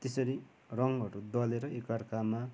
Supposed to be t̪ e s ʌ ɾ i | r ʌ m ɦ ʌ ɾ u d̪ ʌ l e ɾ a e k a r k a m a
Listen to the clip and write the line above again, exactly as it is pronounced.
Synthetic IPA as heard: t̪ e s ʌ ɾ i | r ʌ ŋ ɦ ʌ ɾ u d̪ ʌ l e ɾ ʌ e k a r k a m a